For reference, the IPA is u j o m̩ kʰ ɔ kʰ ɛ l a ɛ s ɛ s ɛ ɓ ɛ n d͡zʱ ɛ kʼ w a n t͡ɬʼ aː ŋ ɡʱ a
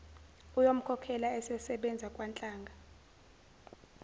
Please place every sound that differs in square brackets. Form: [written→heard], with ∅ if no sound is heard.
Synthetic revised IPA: u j o m̩ kʰ ɔ kʰ ɛ l a ɛ s ɛ s ɛ ɓ ɛ n d͡zʱ [ɛ→a] kʼ w a n t͡ɬʼ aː ŋ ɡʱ a